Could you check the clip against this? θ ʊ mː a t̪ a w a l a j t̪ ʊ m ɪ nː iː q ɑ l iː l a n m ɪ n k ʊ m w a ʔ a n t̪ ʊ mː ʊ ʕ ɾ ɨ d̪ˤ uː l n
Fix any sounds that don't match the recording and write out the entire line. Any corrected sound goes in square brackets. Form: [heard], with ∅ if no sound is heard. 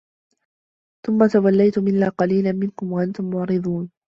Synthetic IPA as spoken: θ ʊ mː a t̪ a w a [lː] a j t̪ ʊ m ɪ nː [aː] q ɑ l iː l a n m ɪ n k ʊ m w a ʔ a n t̪ ʊ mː ʊ ʕ ɾ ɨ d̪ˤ uː [∅] n

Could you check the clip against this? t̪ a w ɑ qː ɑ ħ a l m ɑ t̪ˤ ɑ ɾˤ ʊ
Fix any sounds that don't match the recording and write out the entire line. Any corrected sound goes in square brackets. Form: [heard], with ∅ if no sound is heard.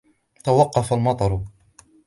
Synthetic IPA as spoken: t̪ a w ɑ qː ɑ [f] a l m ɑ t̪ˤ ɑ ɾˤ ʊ

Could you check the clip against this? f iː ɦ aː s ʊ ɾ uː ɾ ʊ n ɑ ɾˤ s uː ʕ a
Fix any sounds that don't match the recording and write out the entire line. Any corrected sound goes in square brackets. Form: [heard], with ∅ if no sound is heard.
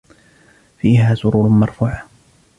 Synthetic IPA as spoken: f iː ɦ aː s ʊ ɾ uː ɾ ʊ [m] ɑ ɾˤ [f] uː ʕ a

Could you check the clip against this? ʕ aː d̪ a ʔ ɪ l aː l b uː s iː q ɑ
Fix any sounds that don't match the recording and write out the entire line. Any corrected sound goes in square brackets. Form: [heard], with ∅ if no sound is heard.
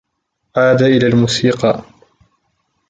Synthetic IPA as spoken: ʕ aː d̪ a ʔ ɪ l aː l [m] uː s iː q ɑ

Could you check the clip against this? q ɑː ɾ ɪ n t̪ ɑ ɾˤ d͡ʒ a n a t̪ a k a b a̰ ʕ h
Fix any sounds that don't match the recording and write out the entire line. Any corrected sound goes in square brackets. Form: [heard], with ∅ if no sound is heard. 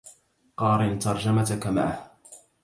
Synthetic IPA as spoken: q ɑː ɾ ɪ n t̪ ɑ ɾˤ d͡ʒ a [m] a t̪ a k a [m] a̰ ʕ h

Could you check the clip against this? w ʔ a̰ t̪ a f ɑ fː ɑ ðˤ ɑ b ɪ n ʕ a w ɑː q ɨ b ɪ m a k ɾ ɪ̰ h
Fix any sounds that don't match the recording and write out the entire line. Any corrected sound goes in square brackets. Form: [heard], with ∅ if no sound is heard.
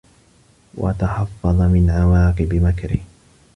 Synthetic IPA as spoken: w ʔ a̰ t̪ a [ħ] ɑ fː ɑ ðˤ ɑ [m] ɪ n ʕ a w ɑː q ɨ b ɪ m a k ɾ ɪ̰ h

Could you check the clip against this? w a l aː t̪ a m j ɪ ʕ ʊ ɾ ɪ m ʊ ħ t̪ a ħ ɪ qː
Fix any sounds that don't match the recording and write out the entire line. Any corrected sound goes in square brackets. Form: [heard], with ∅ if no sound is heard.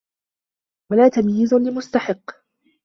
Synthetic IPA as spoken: w a l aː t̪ a m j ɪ [z] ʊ [l] ɪ m ʊ [s] t̪ a ħ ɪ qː

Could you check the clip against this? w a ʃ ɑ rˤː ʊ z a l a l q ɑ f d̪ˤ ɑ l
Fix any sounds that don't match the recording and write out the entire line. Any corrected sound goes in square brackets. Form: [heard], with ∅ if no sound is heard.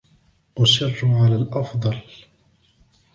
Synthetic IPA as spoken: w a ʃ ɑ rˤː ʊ [ʕ] a l a l [ʔ] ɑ f d̪ˤ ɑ l

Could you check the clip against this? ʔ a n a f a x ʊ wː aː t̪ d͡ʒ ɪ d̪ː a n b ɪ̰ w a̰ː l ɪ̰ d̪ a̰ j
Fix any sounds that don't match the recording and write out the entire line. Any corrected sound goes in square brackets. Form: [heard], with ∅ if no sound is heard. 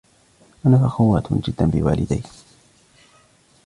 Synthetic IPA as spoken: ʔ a n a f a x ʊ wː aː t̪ d͡ʒ ɪ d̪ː a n b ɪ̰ w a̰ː l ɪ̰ d̪ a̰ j

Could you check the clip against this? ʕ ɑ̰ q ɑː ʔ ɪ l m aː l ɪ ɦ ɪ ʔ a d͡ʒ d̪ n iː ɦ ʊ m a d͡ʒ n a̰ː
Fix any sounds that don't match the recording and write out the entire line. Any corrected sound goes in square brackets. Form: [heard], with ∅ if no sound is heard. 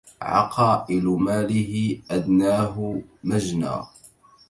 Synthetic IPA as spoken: ʕ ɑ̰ q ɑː ʔ ɪ l m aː l ɪ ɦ ɪ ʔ a [∅] d̪ n [aː] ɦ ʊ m a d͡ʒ n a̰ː

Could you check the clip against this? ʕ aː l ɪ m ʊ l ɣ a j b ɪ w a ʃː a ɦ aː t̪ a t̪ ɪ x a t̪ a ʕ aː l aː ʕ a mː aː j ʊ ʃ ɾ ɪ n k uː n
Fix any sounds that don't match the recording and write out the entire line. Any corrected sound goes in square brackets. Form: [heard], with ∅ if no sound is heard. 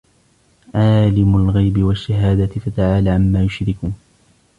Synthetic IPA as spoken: ʕ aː l ɪ m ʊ l ɣ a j b ɪ w a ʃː a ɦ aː [d̪] a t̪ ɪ [f] a t̪ a ʕ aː l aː ʕ a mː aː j ʊ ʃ ɾ ɪ [∅] k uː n

